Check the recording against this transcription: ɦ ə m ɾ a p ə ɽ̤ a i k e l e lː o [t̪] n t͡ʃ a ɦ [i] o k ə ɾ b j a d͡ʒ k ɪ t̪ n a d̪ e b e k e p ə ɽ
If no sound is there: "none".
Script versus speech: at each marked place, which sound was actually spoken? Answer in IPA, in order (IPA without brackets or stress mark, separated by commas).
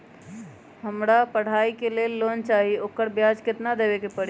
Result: none, i